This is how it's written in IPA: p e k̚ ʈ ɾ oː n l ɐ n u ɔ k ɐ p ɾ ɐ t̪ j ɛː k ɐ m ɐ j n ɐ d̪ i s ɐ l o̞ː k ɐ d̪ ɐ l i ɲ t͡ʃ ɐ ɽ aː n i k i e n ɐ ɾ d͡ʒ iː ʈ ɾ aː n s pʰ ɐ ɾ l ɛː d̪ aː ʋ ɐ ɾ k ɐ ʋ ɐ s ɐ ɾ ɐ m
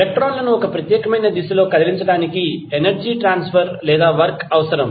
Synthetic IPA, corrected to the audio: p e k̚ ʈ ɾ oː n l ɐ n u ɔ k ɐ p ɾ ɐ t̪ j ɛː k ɐ m ɐ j n ɐ d̪ i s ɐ l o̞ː k ɐ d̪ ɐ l i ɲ t͡ʃ ɐ ɽ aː n i k i e n ɐ ɾ d͡ʒ iː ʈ ɾ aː n s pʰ ɐ ɾ l ɛː d̪ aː ʋ ɐ ɾ k ɐ ʋ ɐ s ɐ ɾ ɐ m